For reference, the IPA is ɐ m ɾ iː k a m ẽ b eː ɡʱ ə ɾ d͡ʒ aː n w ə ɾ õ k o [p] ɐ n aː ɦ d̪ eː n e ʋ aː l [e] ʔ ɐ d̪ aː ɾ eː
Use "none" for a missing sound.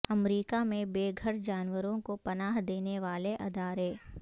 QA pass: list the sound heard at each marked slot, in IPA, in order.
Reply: p, e

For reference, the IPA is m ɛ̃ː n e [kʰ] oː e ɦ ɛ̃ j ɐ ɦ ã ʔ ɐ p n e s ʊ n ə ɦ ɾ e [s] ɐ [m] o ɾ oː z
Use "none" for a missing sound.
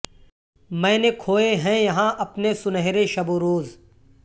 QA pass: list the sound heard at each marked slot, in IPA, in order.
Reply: kʰ, ʃ, b

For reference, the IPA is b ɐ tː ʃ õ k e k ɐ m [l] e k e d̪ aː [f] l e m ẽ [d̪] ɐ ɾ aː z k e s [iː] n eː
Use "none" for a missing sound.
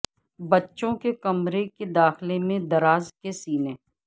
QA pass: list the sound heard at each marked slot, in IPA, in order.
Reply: ɾ, x, d̪, iː

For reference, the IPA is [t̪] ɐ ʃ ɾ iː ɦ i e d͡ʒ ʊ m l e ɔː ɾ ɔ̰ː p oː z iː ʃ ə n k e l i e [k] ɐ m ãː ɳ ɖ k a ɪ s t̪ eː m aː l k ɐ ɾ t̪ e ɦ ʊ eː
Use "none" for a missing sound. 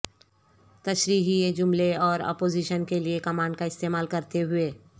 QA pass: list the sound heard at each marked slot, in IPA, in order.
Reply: t̪, k

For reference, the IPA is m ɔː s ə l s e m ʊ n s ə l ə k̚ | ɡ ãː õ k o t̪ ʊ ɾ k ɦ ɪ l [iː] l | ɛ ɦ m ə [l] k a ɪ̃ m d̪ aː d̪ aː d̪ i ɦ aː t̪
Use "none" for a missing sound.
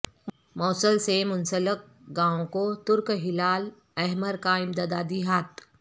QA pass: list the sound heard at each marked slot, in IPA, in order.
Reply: aː, ɾ

